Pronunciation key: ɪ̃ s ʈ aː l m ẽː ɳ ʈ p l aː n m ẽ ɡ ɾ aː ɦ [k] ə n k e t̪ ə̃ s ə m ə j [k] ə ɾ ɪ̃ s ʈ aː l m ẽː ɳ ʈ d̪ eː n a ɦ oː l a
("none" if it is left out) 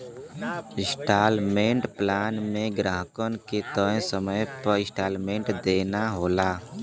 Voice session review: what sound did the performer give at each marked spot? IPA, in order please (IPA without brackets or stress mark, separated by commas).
k, p